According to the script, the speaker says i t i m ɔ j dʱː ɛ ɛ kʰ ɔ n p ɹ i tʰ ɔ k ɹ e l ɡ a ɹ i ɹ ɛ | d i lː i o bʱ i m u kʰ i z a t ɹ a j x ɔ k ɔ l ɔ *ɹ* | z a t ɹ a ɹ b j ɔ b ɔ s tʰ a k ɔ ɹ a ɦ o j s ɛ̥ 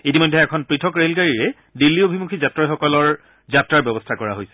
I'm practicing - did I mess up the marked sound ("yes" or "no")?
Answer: no